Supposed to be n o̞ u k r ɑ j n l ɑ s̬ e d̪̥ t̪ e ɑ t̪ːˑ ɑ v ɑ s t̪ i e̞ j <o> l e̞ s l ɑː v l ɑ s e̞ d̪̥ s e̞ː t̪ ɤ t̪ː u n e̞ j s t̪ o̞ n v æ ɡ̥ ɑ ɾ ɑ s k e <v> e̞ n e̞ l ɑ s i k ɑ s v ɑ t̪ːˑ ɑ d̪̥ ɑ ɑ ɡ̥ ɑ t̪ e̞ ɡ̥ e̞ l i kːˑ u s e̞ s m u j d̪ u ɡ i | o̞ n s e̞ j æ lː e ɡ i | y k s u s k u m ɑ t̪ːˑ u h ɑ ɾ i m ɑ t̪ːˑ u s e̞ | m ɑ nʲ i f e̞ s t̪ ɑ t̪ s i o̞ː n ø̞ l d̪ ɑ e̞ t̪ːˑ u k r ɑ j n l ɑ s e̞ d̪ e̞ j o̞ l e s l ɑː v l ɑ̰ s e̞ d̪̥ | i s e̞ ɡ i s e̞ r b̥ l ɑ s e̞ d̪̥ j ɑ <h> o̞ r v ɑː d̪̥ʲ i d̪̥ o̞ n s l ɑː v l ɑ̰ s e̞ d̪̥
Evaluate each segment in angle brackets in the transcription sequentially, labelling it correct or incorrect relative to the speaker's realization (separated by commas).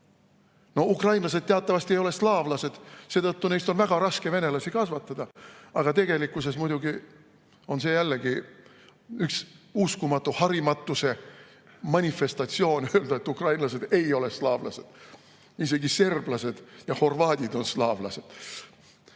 correct, correct, correct